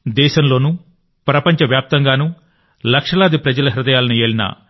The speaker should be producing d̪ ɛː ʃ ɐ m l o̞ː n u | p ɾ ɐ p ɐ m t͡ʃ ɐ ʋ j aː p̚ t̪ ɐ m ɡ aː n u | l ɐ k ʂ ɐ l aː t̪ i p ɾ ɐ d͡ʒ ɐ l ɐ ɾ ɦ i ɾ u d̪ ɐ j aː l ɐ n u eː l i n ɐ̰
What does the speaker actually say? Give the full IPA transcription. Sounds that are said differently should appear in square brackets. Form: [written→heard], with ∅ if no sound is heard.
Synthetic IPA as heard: d̪ ɛː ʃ ɐ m l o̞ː n u | p ɾ ɐ p ɐ [m→ɲ] t͡ʃ ɐ ʋ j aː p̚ t̪ ɐ [m→ŋ] ɡ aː n u | l ɐ k ʂ ɐ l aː [t̪→d̪] i p ɾ ɐ d͡ʒ ɐ l ɐ [ɾ→∅] ɦ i ɾ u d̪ ɐ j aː l ɐ n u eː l i n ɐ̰